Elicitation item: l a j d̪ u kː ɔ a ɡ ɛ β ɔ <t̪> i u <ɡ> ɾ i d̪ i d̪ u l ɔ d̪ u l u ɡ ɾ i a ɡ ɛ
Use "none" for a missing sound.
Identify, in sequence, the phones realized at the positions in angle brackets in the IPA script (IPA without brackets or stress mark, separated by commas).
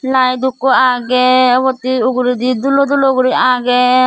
t̪, ɡ